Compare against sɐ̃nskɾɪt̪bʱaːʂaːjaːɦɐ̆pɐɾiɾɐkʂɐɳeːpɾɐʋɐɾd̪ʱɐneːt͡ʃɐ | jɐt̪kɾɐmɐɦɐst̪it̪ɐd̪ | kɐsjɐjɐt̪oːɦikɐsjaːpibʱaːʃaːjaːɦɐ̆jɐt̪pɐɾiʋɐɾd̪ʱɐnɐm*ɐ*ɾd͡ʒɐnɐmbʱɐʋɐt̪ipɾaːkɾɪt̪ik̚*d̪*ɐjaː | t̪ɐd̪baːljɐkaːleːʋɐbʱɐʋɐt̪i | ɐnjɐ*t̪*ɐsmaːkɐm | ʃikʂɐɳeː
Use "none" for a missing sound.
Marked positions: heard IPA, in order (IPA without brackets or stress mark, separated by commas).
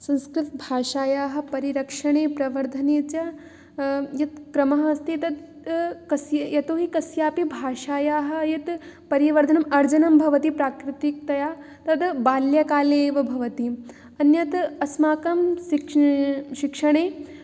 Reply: ɐ, t̪, t̪